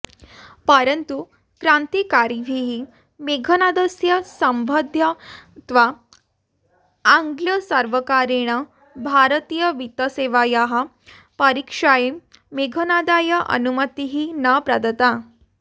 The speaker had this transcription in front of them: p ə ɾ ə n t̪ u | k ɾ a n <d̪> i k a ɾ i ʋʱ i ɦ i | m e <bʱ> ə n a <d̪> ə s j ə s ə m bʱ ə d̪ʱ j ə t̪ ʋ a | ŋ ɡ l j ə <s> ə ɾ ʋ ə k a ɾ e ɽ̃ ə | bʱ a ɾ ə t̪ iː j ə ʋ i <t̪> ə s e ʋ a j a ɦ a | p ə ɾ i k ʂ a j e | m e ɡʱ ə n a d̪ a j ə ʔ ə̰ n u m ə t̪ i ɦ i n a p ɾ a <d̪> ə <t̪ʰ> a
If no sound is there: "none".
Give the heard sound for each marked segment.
t̪, ɡʱ, d̪, s, t̪, d̪, t̪

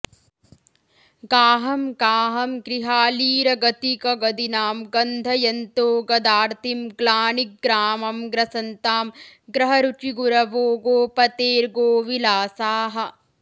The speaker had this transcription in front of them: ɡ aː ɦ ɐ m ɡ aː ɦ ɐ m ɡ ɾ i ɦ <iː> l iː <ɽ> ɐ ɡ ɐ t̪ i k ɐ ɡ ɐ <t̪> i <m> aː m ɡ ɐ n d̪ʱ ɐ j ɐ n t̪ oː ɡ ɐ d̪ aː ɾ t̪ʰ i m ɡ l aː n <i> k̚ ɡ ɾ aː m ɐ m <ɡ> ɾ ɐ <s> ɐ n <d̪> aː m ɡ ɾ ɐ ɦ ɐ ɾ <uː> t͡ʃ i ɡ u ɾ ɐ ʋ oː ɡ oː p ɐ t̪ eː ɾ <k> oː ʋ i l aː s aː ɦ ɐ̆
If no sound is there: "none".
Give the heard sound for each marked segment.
aː, ɾ, d̪, n, i, ɡ, s, t̪, u, ɡ

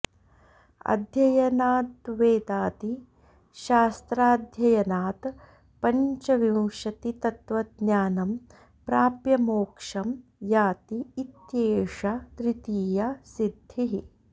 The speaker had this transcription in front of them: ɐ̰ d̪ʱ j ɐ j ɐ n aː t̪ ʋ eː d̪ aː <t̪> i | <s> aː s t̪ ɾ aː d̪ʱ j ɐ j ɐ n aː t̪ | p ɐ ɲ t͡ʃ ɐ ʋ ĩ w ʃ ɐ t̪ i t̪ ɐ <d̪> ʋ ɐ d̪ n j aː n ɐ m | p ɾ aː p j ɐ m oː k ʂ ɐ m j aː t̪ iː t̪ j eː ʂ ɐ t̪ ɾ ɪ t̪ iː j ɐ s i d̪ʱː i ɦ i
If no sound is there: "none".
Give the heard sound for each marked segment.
t̪, ʃ, t̪

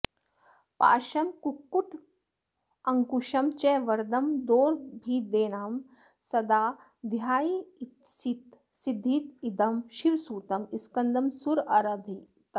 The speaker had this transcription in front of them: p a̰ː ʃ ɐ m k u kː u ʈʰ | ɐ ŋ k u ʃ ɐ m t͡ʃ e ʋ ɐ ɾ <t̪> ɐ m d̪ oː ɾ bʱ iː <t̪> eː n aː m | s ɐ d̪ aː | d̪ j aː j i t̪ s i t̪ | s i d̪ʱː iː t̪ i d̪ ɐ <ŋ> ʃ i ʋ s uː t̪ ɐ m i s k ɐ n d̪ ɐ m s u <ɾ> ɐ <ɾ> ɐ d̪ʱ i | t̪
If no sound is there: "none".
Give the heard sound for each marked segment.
d̪, d̪, m, ɾ, ɾ

